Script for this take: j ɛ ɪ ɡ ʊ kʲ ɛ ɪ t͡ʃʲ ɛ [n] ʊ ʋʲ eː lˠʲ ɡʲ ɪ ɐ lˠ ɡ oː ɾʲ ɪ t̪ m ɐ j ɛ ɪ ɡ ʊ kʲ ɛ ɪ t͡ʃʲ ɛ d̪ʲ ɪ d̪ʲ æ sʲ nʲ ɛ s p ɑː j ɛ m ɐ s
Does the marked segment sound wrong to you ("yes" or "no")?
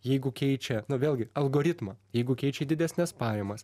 no